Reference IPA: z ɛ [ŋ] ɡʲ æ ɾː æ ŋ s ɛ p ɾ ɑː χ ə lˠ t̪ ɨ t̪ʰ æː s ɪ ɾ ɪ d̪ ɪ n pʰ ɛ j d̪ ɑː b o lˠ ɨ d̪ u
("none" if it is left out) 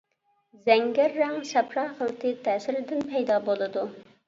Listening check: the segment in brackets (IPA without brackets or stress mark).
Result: ŋ